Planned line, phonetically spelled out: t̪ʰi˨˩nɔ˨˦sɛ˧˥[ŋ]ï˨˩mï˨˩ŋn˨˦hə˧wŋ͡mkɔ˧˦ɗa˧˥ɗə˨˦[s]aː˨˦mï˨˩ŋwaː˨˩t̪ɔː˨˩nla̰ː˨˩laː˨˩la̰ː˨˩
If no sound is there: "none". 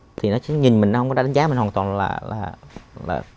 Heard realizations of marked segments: ɲ, z

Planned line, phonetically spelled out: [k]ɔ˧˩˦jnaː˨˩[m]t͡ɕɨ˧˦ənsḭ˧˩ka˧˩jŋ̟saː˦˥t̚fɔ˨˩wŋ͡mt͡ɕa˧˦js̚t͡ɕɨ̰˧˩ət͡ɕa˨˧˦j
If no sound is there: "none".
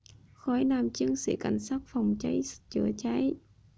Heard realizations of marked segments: x, m

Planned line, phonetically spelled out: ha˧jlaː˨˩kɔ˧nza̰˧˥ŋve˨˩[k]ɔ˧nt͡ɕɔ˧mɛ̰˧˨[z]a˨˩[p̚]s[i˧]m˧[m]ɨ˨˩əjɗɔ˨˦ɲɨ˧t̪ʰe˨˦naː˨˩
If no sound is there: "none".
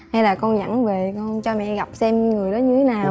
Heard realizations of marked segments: k, ɣ, p̚, ɛ˧, ŋ

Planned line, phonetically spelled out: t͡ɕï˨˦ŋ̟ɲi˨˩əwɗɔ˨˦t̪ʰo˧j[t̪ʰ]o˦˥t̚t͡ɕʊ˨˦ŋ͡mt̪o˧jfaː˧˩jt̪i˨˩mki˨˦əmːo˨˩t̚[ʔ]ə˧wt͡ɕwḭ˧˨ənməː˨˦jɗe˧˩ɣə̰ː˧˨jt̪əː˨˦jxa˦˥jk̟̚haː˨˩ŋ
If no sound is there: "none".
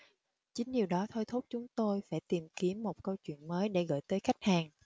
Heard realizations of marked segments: t̪ʰ, k

